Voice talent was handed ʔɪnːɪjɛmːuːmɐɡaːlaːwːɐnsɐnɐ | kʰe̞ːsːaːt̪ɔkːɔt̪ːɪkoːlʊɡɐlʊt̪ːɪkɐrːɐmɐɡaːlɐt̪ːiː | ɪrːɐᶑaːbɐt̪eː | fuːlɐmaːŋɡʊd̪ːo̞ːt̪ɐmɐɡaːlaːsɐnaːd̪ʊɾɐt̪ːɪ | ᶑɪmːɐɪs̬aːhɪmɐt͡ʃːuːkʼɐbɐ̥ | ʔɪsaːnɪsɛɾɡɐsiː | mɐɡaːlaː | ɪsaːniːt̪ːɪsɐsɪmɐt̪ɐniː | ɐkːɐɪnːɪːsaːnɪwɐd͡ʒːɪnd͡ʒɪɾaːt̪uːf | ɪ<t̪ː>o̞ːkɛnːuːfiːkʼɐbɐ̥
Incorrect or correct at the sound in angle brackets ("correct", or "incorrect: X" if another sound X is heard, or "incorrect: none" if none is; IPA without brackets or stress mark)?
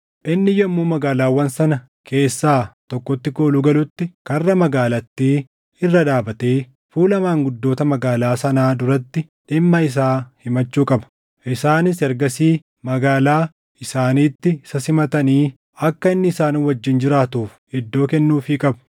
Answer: incorrect: d̪ː